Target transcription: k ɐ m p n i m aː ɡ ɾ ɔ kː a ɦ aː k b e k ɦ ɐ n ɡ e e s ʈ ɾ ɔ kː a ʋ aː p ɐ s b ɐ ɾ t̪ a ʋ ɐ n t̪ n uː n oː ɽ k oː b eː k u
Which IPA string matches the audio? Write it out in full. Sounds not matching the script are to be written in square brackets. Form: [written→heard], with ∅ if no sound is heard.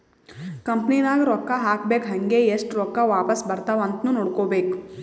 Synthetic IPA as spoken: k ɐ m p n i [m→n] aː ɡ ɾ ɔ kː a ɦ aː k b e k ɦ ɐ [n→ŋ] ɡ e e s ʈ ɾ ɔ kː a ʋ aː p ɐ s b ɐ ɾ t̪ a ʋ ɐ n t̪ n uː n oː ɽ k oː b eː k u